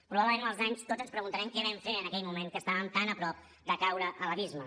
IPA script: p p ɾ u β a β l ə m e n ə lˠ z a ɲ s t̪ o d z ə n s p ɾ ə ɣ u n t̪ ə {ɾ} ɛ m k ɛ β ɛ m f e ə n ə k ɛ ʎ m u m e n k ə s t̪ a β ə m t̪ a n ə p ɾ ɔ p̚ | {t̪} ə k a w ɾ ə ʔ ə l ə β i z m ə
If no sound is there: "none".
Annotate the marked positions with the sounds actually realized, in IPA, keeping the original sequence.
ɾ, d̪

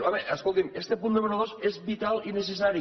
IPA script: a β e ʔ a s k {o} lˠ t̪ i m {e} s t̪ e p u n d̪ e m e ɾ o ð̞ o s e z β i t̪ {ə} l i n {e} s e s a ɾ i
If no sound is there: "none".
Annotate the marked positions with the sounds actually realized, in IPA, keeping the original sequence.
o, e, a, e

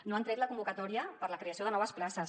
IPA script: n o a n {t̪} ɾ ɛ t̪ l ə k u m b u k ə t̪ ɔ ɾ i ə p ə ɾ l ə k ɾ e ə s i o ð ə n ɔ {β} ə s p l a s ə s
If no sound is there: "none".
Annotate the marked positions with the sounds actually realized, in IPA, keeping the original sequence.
t̪, β

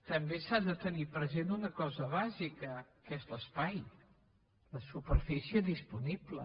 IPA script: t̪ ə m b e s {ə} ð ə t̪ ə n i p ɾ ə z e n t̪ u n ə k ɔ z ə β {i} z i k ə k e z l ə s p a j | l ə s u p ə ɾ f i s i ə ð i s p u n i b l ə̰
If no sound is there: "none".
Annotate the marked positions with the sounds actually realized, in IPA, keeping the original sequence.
a, a

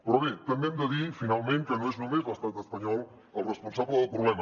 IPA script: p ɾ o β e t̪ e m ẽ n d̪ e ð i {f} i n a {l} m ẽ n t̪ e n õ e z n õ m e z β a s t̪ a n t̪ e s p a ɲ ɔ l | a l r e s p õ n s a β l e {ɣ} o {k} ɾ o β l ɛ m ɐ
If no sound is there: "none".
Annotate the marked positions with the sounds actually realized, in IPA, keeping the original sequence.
f, l, ð, p

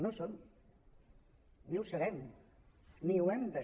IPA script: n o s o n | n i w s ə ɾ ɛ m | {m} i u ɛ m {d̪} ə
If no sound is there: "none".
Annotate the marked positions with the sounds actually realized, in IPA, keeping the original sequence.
n, d̪

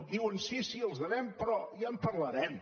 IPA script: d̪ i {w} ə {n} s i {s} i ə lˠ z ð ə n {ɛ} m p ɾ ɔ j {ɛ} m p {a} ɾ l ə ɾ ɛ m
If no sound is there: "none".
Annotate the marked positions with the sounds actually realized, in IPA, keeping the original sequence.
w, n, s, ɛ, a, ə

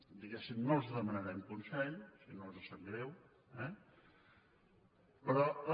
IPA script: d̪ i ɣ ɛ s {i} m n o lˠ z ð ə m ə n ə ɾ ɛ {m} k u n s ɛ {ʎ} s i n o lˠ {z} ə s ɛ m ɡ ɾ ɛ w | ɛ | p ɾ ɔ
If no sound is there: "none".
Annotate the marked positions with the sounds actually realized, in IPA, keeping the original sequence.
i, m, ʎ, z

